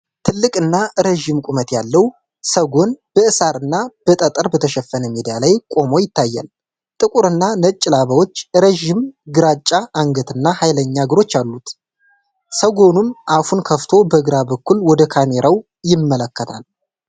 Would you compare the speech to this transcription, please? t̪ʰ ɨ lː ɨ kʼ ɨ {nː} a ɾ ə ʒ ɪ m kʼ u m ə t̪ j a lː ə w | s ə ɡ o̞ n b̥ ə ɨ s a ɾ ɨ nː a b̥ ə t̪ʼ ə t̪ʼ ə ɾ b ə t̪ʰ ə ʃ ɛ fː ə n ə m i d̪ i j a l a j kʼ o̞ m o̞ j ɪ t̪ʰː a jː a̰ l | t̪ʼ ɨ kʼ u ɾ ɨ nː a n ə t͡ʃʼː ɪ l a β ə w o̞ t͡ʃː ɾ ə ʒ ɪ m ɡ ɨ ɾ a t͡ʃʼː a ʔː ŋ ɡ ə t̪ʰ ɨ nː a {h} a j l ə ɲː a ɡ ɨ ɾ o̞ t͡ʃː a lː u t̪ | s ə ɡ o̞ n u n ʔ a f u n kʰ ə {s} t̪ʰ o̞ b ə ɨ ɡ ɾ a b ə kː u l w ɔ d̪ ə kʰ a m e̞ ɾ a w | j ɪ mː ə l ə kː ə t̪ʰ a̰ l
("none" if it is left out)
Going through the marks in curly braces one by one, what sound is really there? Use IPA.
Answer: nː, h, f

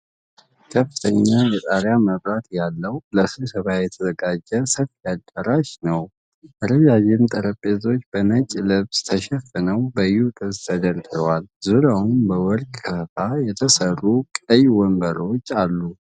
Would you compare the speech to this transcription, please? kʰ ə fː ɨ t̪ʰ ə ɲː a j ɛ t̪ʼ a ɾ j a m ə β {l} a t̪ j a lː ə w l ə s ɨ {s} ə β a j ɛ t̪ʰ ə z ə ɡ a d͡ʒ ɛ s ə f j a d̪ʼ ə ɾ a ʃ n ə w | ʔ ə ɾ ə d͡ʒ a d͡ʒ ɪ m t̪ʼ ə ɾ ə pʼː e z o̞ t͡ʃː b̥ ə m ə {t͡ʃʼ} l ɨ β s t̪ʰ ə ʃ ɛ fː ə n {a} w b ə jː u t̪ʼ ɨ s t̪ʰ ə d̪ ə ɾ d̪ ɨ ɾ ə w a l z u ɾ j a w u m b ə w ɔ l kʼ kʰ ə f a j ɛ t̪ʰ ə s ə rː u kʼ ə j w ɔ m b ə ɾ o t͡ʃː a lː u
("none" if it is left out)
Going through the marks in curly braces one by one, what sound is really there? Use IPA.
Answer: ɾ, s, t͡ʃʼ, ə

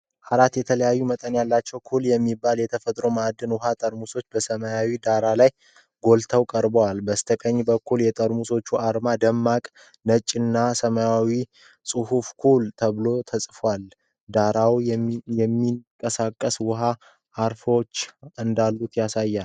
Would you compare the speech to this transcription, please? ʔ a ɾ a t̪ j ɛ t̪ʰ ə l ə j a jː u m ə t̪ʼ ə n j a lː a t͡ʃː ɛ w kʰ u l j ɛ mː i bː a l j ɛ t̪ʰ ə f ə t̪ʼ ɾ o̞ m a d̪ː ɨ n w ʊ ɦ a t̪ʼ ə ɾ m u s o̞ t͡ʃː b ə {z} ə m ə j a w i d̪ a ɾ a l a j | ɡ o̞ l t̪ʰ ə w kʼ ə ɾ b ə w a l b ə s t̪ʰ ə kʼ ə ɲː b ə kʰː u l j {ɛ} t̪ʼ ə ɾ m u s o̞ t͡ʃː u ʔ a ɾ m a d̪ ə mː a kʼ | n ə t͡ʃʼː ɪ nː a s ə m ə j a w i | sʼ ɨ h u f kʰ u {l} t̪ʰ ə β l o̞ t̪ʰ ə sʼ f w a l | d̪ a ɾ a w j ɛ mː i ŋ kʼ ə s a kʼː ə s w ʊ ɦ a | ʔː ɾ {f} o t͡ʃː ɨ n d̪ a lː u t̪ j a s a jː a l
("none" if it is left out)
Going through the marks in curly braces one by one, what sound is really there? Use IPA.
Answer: s, ɛ, l, f

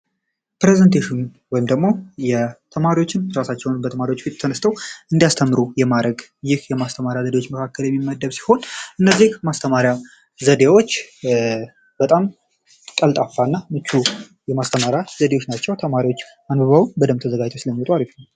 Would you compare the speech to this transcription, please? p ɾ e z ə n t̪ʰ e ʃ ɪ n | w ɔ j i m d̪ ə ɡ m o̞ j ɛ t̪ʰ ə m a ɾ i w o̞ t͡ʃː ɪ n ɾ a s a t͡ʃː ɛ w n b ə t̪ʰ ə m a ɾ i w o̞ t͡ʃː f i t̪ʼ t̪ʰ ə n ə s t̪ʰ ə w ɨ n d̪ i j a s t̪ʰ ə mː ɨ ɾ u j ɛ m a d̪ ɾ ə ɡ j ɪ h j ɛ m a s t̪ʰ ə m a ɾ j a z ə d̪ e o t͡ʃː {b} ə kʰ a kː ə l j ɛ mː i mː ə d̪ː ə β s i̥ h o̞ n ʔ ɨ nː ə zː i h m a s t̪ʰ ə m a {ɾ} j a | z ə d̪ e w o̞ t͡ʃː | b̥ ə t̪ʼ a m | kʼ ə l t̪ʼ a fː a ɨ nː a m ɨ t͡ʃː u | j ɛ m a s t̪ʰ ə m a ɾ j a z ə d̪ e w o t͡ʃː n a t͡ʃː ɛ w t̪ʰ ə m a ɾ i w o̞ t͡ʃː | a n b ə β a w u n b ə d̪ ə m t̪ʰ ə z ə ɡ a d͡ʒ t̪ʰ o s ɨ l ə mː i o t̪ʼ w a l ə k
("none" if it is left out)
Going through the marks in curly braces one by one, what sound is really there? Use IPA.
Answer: m, ɾ

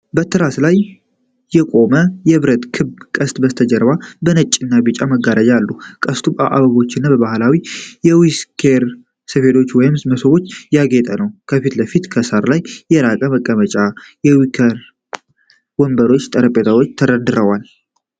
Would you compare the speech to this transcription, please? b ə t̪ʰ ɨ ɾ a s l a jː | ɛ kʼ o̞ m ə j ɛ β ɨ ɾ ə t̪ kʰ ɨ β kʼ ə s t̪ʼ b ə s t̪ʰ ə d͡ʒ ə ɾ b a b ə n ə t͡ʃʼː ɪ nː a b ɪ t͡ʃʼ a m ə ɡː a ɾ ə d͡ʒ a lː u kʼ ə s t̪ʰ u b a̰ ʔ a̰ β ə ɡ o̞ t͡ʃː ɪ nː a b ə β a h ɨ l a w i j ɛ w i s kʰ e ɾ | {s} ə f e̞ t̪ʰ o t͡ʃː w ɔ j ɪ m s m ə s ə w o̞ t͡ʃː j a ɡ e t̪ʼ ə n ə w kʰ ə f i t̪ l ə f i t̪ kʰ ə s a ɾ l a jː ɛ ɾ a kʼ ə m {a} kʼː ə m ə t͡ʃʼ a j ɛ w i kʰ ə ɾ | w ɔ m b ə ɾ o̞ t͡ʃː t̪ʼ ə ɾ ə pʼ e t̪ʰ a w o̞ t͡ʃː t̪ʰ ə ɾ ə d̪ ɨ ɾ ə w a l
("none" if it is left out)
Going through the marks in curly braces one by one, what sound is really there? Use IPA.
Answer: s, ə

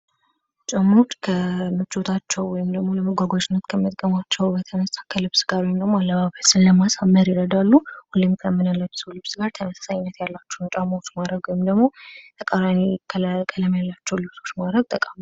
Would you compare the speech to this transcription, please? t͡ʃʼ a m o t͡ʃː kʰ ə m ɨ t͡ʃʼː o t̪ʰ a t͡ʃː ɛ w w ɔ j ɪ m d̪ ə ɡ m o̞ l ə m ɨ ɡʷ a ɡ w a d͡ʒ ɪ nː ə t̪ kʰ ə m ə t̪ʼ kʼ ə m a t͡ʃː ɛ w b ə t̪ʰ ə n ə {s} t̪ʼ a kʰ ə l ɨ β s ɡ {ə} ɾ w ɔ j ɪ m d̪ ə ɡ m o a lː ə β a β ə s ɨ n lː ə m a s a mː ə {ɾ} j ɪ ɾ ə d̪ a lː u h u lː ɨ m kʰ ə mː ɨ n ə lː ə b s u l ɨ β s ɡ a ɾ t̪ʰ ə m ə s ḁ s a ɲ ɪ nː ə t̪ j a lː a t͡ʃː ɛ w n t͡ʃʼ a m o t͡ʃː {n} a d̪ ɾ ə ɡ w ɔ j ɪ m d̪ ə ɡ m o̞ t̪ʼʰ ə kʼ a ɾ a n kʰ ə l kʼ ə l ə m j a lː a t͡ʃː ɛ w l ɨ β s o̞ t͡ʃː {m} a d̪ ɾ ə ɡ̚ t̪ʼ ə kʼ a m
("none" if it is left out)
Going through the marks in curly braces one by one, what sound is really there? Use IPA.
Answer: s, a, ɾ, m, m

